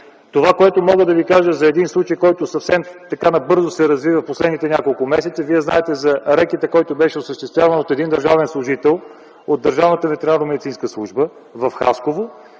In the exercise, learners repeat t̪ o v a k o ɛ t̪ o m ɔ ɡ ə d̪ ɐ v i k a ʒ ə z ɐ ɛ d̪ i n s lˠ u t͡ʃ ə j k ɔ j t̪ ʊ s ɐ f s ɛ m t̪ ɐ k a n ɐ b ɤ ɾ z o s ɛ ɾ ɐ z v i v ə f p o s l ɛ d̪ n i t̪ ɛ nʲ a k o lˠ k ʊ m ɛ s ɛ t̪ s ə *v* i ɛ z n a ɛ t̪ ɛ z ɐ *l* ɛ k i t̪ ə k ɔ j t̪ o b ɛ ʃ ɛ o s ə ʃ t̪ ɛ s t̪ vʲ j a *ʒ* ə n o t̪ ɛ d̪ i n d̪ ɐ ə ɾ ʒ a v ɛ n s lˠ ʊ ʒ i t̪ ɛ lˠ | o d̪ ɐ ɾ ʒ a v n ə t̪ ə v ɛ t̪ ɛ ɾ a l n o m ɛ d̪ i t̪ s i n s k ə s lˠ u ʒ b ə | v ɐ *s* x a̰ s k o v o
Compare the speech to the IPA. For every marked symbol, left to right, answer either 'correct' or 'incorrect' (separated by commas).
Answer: correct, incorrect, incorrect, incorrect